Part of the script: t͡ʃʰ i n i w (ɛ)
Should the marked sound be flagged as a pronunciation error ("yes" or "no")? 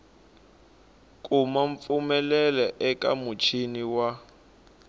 yes